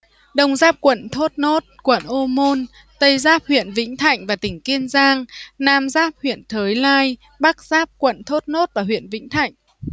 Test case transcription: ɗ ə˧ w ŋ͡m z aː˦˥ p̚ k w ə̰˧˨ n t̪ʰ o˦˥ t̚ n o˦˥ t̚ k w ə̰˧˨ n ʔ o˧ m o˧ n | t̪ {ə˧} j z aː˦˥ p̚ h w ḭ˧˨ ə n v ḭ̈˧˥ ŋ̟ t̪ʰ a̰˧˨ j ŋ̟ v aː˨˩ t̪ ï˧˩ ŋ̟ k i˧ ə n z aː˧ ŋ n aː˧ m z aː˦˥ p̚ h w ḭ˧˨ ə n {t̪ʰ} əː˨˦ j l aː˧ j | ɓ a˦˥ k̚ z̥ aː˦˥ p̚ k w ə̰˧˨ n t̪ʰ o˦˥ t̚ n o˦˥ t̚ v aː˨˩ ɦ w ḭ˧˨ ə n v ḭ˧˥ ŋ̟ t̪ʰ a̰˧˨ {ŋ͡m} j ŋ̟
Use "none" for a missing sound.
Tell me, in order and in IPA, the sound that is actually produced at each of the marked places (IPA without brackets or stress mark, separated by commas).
ə˧, t̪ʰ, none